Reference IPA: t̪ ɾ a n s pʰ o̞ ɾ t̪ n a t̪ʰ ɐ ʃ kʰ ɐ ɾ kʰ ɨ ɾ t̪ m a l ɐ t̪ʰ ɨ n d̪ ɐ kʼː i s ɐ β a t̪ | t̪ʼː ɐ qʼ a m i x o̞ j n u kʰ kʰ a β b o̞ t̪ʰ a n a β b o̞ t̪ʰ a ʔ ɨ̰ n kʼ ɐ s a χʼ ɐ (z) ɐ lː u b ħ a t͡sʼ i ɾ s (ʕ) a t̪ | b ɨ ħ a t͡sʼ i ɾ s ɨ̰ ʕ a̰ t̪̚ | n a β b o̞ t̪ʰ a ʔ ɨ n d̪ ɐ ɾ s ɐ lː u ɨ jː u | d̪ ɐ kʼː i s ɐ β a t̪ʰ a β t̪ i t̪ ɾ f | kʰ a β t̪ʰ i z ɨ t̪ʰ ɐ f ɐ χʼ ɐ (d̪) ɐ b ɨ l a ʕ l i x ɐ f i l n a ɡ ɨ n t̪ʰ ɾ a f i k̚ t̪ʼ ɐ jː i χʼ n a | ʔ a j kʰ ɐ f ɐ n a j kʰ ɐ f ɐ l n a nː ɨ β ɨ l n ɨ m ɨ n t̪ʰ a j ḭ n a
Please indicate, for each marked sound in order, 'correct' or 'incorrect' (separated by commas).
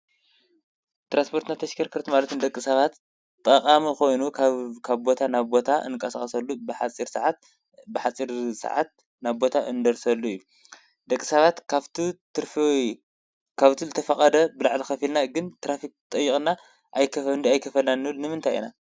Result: incorrect, correct, correct